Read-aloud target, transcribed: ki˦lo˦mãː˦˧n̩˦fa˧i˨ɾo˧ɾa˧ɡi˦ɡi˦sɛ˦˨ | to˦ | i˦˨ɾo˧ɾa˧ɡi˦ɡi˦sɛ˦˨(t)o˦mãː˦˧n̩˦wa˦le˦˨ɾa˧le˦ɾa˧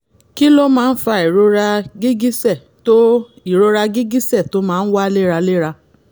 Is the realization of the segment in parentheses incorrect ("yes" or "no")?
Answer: no